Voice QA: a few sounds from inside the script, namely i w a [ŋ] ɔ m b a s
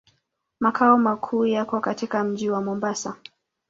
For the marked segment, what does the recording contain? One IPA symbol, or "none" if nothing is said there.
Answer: m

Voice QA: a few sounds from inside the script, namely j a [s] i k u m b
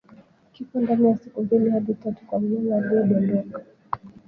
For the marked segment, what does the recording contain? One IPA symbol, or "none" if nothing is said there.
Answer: s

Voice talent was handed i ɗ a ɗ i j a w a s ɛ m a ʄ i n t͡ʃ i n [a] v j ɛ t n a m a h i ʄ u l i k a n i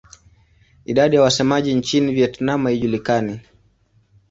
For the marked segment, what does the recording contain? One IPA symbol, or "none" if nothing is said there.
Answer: i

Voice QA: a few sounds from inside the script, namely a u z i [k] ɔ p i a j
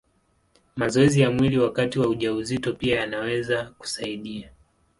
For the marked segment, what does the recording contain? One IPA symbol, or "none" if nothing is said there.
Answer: t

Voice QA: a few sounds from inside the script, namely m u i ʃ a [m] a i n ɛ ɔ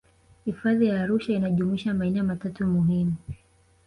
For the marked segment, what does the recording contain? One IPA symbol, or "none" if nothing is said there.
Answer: m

